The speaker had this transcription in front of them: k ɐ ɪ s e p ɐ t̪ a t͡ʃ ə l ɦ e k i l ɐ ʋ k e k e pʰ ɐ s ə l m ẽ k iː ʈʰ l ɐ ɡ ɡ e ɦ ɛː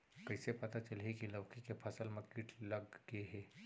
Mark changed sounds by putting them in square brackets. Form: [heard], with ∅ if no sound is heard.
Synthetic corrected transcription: k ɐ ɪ s e p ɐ t̪ a t͡ʃ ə l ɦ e k i l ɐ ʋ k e k e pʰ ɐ s ə l m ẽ k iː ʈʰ l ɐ ɡ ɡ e ɦ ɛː